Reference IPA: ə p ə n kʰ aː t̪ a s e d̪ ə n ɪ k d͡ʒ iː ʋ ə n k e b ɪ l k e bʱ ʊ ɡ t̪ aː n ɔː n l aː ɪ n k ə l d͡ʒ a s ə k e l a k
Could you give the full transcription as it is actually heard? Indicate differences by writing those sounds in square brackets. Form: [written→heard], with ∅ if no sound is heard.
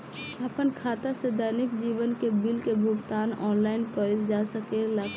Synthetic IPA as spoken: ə p ə n kʰ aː t̪ a s e d̪ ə n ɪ k d͡ʒ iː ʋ ə n k e b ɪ l k e bʱ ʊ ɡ t̪ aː n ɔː n l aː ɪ n k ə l d͡ʒ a s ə k e l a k